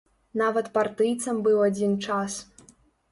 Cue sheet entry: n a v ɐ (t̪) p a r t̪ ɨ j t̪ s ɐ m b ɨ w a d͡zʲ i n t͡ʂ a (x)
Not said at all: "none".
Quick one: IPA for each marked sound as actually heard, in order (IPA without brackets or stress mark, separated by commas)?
t̪, s